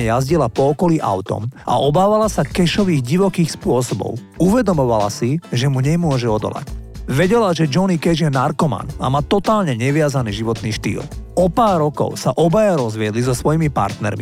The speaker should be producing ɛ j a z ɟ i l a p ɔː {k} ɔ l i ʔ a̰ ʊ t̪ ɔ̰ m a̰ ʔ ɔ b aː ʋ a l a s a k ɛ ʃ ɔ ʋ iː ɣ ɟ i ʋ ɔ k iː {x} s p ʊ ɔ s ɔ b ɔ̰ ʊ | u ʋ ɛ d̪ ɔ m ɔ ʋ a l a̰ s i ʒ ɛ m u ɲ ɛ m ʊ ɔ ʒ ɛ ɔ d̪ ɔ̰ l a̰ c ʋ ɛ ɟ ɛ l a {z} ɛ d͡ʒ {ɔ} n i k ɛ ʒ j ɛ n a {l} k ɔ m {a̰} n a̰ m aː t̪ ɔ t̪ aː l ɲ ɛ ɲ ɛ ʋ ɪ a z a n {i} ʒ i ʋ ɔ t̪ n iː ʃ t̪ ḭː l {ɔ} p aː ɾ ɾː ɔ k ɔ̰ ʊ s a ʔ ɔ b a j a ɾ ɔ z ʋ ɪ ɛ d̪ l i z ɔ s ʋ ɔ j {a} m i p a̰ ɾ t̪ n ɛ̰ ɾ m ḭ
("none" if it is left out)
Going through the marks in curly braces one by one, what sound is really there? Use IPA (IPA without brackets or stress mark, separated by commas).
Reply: k, x, ʒ, ɔ, ɾ, a̰, iː, ɔ, i